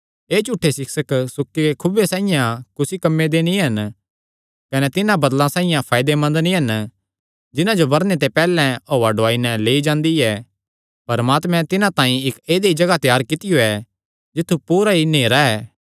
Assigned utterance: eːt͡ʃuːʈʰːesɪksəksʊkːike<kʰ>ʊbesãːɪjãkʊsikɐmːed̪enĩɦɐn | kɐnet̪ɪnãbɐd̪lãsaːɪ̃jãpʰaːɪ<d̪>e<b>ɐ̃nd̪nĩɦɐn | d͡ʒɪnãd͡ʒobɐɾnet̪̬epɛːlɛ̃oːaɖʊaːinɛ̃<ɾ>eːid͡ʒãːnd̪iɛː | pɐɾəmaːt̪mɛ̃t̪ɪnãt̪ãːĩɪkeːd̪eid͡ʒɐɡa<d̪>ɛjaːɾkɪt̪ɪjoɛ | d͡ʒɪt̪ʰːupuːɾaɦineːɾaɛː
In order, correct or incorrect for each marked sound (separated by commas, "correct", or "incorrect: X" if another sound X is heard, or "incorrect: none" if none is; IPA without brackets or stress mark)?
correct, correct, incorrect: m, incorrect: l, incorrect: t̪